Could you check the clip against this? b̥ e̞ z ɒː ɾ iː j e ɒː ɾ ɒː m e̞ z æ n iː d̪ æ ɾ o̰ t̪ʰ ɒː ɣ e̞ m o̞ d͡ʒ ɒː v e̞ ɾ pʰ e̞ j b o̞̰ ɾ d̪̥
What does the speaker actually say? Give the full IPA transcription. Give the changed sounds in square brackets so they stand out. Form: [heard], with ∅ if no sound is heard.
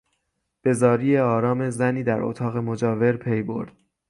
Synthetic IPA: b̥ e̞ z ɒː ɾ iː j e ɒː ɾ ɒː m e̞ z æ n iː d̪ æ ɾ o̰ t̪ʰ ɒː ɣ e̞ m o̞ d͡ʒ ɒː v e̞ ɾ pʰ e̞ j b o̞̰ ɾ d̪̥